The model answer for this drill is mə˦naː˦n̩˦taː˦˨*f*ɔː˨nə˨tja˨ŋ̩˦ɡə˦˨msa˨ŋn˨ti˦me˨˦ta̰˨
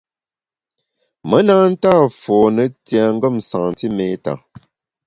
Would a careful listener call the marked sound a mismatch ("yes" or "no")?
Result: no